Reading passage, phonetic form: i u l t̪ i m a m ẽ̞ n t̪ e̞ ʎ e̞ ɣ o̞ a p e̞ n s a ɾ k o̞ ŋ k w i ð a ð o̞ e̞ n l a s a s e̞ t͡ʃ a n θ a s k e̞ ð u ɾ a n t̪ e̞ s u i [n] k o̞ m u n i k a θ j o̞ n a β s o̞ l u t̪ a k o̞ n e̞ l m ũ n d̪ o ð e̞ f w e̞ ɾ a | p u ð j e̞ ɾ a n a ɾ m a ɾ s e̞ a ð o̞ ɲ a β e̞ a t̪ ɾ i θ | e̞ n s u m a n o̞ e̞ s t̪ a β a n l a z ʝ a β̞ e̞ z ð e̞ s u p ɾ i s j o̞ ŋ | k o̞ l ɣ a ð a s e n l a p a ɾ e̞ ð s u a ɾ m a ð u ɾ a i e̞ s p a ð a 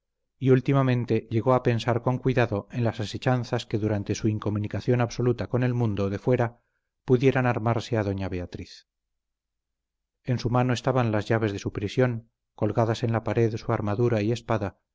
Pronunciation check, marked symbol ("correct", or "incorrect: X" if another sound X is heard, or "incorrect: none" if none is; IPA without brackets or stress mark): incorrect: ŋ